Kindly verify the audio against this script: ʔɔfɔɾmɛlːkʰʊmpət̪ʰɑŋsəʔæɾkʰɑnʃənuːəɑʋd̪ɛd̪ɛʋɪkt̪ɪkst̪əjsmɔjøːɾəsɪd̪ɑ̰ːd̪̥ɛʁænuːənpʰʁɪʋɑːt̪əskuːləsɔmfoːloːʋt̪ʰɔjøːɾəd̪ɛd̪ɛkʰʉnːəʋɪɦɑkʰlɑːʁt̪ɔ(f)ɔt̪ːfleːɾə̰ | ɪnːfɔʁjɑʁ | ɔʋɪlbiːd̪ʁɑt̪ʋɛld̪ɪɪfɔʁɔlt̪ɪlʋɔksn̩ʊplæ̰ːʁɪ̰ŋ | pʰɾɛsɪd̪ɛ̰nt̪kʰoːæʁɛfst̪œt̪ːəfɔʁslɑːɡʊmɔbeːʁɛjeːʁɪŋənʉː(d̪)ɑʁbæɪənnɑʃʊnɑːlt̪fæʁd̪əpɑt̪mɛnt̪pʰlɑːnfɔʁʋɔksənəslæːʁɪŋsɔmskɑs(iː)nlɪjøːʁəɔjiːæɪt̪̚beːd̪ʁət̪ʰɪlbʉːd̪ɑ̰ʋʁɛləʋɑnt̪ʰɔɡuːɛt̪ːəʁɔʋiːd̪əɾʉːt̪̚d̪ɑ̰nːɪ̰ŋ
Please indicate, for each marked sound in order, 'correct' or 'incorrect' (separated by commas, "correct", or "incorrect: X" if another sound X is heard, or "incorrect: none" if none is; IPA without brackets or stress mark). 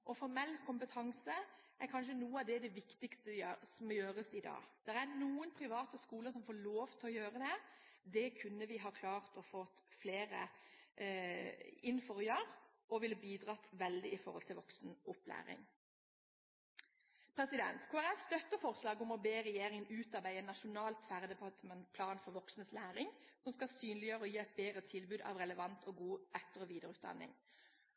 correct, incorrect: t̪, incorrect: yː